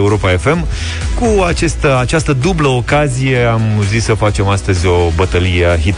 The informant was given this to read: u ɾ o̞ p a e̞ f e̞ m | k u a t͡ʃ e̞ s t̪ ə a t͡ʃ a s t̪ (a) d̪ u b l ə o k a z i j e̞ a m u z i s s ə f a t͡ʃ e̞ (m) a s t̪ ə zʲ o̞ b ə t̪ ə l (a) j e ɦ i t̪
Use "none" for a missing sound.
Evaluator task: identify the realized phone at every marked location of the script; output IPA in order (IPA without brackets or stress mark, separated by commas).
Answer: ə, m, i